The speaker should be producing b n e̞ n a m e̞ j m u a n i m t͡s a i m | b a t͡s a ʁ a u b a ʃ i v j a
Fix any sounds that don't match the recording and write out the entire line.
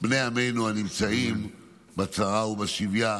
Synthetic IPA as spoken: b n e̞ a m e̞ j n u a n i m t͡s a i m | b a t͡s a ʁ a u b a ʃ i v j a